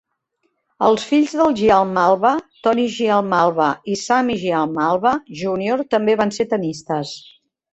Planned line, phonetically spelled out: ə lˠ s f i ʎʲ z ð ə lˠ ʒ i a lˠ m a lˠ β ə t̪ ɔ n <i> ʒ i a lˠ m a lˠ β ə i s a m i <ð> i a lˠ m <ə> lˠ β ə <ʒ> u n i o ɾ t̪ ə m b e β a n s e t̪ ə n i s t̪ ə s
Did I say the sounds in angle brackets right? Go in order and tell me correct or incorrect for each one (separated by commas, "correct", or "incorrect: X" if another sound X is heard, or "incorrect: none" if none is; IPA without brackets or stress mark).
correct, incorrect: ʒ, incorrect: a, correct